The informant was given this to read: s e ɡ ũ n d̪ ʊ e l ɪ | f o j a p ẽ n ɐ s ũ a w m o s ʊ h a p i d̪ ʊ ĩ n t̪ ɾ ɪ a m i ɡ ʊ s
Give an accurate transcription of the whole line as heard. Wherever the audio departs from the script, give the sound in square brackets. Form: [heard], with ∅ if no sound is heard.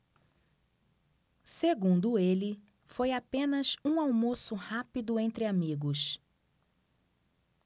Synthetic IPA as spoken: s e ɡ ũ n d̪ ʊ e l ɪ | f o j a p ẽ n ɐ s ũ a w m o s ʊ h a p i d̪ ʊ [ẽ] n t̪ ɾ ɪ a m i ɡ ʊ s

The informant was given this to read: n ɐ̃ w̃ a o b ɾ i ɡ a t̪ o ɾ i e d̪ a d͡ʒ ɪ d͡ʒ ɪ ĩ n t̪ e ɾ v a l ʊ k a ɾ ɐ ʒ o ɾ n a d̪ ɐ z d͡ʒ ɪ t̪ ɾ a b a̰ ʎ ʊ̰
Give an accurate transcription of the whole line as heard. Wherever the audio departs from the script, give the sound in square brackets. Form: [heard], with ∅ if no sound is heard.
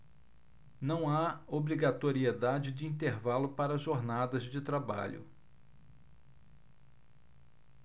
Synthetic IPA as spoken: n ɐ̃ w̃ a o b ɾ i ɡ a t̪ o ɾ i e d̪ a d͡ʒ ɪ d͡ʒ ɪ ĩ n t̪ e ɾ v a l ʊ [p] a ɾ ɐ ʒ o ɾ n a d̪ ɐ z d͡ʒ ɪ t̪ ɾ a b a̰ ʎ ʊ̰

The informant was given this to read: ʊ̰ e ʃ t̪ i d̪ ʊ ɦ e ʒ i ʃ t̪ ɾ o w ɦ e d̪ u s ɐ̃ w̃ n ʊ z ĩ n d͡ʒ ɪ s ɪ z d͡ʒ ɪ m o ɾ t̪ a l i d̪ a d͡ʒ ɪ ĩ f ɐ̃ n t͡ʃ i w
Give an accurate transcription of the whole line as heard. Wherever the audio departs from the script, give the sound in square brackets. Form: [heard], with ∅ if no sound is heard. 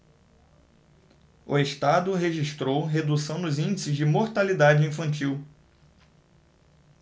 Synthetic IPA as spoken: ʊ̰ e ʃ t̪ [a] d̪ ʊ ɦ e ʒ i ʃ t̪ ɾ o w ɦ e d̪ u s ɐ̃ w̃ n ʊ z ĩ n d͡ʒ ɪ s ɪ z d͡ʒ ɪ m o ɾ t̪ a l i d̪ a d͡ʒ ɪ ĩ f ɐ̃ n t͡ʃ i w

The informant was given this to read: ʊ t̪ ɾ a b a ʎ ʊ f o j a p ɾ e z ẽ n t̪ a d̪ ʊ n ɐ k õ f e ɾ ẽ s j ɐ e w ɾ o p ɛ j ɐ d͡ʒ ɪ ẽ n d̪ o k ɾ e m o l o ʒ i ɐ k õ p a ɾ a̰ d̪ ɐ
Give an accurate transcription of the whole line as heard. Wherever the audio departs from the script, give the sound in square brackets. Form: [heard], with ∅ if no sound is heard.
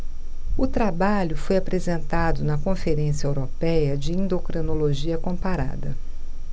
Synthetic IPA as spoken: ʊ t̪ ɾ a b a ʎ ʊ f o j a p ɾ e z ẽ n t̪ a d̪ ʊ n ɐ k õ f e ɾ ẽ s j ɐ e w ɾ o p ɛ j ɐ d͡ʒ ɪ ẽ n d̪ o k ɾ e [n] o l o ʒ i ɐ k õ p a ɾ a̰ d̪ ɐ

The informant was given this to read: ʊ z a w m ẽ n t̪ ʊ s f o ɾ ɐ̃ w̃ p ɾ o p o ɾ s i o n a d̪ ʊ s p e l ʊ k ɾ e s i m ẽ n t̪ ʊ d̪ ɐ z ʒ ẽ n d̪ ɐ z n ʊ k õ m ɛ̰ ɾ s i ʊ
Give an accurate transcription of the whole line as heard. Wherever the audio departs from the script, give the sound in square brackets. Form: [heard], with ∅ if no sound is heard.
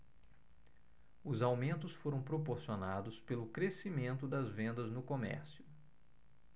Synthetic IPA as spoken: ʊ z a w m ẽ n t̪ ʊ s f o ɾ ɐ̃ w̃ p ɾ o p o ɾ s i o n a d̪ ʊ s p e l ʊ k ɾ e s i m ẽ n t̪ ʊ d̪ ɐ z [v] ẽ n d̪ ɐ z n ʊ k [o] m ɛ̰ ɾ s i ʊ

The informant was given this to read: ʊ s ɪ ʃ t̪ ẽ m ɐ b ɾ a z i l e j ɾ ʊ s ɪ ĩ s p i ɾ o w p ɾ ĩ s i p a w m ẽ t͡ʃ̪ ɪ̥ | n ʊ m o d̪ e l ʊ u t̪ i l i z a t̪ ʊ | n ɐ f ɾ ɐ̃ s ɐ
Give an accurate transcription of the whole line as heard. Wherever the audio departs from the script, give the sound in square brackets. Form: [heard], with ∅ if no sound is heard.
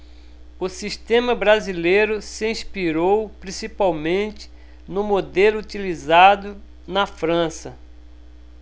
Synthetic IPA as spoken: ʊ s [i] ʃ t̪ ẽ m ɐ b ɾ a z i l e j ɾ ʊ s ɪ ĩ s p i ɾ o w p ɾ ĩ s i p a w m ẽ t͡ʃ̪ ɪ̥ | n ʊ m o d̪ e l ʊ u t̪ i l i z a [d̪] ʊ | n ɐ f ɾ ɐ̃ s ɐ

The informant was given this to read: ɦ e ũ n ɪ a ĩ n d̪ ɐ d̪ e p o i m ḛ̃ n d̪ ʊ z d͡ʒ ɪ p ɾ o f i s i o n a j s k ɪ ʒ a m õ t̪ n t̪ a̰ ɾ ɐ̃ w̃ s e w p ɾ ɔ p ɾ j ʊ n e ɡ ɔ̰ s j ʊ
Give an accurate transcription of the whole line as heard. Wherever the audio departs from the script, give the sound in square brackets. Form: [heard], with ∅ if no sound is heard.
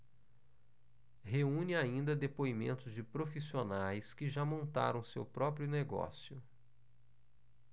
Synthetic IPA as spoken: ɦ e ũ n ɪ a ĩ n d̪ ɐ d̪ e p o i m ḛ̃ n [t̪] ʊ z d͡ʒ ɪ p ɾ o f i s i o n a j s k ɪ ʒ a m õ [∅] n t̪ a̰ ɾ ɐ̃ w̃ s e w p ɾ ɔ p ɾ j ʊ n e ɡ ɔ̰ s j ʊ

